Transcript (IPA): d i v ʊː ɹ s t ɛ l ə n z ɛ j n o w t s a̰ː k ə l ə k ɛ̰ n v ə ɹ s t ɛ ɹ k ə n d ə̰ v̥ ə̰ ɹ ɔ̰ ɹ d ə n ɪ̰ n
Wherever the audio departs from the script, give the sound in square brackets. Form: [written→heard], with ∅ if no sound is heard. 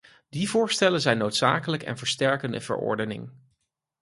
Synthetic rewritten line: d i v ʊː ɹ s t ɛ l ə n z ɛ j n o w t s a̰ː k ə l ə k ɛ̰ n v ə ɹ s t ɛ ɹ k ə n d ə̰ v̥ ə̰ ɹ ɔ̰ ɹ d ə n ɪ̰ [n→ŋ]